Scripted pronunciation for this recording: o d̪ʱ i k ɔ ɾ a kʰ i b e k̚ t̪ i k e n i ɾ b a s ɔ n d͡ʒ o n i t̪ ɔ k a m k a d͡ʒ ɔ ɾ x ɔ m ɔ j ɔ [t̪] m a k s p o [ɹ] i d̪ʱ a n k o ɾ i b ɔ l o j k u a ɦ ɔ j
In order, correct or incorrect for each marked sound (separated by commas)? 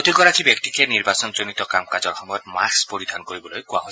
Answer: correct, incorrect